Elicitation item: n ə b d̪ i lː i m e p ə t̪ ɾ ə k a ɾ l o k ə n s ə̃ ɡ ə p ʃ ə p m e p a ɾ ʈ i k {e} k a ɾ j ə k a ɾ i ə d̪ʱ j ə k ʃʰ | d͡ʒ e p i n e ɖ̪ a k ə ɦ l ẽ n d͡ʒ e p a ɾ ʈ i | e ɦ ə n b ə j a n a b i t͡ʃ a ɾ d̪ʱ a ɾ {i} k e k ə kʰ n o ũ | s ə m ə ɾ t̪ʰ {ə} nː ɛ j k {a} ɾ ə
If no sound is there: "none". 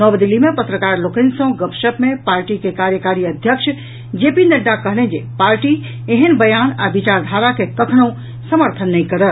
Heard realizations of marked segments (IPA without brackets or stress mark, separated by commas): e, a, ə, ə